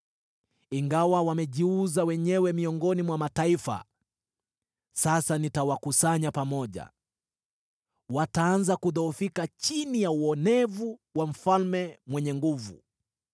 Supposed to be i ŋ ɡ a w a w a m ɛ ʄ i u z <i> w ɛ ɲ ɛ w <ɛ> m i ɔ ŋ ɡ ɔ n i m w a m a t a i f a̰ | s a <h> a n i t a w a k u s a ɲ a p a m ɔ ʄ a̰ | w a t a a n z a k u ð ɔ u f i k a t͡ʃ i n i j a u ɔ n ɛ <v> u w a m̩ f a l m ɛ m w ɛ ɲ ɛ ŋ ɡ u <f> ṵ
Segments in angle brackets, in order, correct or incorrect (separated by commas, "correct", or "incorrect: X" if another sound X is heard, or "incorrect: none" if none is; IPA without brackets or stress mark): incorrect: a, correct, incorrect: s, correct, incorrect: v